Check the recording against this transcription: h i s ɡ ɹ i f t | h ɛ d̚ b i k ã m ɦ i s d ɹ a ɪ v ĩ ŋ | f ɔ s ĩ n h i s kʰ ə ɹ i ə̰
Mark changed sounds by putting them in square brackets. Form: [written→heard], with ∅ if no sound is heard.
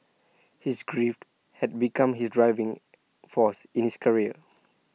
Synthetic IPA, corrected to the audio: h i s ɡ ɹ i f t | h ɛ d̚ b i k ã m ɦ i s d ɹ a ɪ v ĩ ŋ | f ɔ s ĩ n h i s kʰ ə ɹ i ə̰